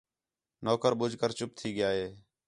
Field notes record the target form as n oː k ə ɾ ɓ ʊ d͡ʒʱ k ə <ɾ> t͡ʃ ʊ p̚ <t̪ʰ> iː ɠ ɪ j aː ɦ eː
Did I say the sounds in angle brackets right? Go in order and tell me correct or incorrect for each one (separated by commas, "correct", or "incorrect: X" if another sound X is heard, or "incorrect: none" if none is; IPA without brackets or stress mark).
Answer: correct, correct